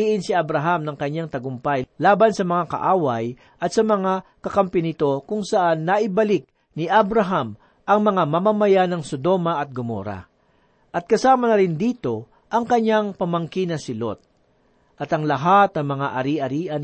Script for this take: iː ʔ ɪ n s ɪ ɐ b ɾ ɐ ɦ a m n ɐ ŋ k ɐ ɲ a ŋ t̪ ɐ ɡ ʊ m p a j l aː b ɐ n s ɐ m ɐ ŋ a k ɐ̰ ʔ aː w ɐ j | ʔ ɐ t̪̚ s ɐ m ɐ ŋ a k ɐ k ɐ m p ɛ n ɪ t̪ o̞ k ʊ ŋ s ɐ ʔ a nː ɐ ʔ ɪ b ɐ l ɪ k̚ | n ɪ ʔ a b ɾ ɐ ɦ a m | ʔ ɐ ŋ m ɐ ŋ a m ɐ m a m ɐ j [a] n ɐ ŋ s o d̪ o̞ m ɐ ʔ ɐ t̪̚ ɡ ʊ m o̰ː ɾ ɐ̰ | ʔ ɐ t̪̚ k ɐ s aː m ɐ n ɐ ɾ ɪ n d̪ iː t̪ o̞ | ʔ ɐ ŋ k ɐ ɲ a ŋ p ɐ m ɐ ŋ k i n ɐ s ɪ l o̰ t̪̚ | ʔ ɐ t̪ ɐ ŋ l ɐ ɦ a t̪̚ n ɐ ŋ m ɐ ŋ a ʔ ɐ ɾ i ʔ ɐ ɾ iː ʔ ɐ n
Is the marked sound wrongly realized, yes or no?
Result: no